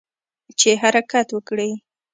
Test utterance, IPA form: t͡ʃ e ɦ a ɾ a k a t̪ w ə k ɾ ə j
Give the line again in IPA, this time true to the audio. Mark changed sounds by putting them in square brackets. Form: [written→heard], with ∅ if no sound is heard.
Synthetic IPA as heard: t͡ʃ e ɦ a ɾ a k a t̪ w ə k [ɾ→ɽ] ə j